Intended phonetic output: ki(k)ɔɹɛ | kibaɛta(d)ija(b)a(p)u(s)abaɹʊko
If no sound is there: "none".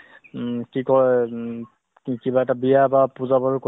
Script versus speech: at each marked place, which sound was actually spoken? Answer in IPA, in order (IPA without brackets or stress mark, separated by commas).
k, b, b, p, z